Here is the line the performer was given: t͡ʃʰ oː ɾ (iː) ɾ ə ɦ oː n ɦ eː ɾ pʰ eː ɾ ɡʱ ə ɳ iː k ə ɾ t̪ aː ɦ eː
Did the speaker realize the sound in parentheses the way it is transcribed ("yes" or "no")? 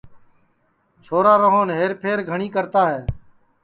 no